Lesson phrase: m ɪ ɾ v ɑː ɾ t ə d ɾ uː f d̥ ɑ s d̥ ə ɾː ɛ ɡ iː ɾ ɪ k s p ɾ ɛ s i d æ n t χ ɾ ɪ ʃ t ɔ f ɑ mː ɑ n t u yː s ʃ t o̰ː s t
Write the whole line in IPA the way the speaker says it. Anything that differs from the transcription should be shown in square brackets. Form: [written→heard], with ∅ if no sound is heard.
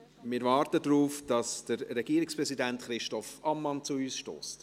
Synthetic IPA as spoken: m ɪ ɾ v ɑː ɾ t ə d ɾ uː f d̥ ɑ s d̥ ə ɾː ɛ ɡ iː ɾ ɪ k s p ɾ ɛ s i d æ n t χ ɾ ɪ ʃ t ɔ f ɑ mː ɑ n [t→t͡s] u yː s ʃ t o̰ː s t

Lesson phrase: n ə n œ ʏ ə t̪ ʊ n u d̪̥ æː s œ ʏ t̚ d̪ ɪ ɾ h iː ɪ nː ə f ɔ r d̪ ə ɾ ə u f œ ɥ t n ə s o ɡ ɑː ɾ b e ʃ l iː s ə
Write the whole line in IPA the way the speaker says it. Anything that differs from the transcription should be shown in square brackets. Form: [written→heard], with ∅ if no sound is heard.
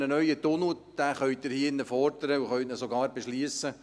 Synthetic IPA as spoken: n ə n œ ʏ ə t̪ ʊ n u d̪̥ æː [s→χ] œ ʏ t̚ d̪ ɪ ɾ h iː ɪ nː ə f ɔ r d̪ ə ɾ ə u [f→χ] œ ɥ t n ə s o ɡ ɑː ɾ b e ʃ l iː s ə

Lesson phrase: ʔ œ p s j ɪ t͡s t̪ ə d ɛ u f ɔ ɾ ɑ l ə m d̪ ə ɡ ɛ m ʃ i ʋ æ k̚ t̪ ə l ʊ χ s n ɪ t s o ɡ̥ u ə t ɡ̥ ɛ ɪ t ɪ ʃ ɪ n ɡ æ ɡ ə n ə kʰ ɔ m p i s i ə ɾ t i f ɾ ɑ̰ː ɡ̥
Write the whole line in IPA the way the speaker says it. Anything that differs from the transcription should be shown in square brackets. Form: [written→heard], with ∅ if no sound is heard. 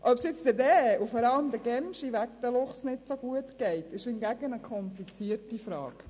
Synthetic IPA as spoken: ʔ œ p s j ɪ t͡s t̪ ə d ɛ u f ɔ ɾ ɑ l ə m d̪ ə ɡ ɛ m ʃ i ʋ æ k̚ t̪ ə l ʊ χ s n ɪ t s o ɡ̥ u ə t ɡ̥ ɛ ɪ t ɪ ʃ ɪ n ɡ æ ɡ ə n ə kʰ ɔ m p i [s→t͡s] i ə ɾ t i f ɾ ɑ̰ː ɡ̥

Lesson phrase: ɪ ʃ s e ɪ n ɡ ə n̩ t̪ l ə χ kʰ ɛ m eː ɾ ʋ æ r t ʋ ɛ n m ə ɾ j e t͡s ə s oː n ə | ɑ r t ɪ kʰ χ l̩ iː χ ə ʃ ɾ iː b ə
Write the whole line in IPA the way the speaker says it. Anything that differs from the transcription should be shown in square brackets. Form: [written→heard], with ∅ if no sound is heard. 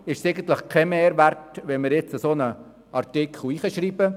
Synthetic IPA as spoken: ɪ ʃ s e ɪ [n→∅] ɡ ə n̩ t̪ l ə χ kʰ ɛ m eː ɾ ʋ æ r t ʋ ɛ n m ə ɾ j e t͡s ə s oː n ə | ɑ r t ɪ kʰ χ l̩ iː χ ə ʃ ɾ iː b ə

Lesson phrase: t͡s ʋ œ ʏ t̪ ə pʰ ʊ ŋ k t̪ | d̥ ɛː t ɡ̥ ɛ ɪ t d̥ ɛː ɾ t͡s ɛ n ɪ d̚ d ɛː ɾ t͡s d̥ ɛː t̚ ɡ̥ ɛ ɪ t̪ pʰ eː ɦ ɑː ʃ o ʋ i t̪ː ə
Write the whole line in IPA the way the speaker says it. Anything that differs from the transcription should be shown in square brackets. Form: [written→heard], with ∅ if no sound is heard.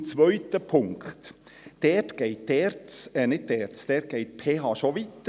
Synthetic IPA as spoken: t͡s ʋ œ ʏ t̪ ə pʰ ʊ ŋ k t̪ | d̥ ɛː t ɡ̥ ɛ ɪ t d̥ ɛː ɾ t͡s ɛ n ɪ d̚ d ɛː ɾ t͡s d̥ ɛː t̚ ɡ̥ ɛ ɪ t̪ pʰ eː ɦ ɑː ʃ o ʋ i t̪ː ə

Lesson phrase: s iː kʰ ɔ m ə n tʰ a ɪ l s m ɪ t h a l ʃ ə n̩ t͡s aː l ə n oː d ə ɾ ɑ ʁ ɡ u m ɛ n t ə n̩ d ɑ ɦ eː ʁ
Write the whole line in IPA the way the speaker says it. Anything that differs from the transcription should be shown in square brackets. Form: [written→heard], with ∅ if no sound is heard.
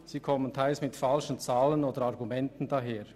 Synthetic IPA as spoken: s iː kʰ ɔ m ə n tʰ a ɪ l s m ɪ t [h→f] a l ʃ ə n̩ t͡s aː l ə n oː d ə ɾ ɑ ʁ ɡ u m ɛ n t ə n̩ d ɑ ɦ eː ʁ

